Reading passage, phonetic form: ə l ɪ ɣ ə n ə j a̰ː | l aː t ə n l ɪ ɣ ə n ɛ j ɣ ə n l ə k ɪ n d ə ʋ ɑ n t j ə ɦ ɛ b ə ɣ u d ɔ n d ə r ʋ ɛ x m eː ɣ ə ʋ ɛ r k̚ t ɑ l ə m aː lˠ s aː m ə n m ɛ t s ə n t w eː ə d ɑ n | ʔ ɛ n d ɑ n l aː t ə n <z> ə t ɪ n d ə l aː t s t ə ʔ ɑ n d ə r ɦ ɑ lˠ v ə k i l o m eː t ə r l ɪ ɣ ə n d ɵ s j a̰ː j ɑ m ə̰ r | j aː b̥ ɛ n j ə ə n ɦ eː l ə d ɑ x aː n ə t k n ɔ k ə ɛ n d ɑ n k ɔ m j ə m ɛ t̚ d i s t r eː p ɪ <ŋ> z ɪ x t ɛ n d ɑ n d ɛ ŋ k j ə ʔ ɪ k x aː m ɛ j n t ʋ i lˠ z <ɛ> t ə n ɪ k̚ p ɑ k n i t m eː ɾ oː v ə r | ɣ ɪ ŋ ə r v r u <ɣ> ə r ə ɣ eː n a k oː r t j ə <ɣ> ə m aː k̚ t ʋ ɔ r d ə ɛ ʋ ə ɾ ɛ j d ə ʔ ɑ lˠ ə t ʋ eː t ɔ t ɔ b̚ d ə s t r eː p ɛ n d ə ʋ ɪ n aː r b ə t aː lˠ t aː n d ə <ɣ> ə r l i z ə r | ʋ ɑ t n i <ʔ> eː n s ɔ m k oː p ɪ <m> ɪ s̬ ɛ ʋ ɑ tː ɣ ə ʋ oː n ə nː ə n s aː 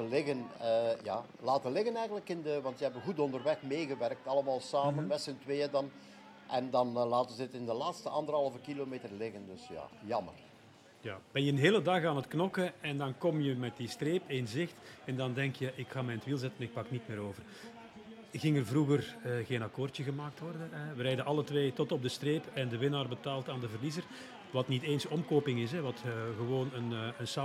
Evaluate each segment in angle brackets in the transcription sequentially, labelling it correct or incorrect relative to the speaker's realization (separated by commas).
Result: correct, incorrect, correct, correct, correct, incorrect, incorrect, incorrect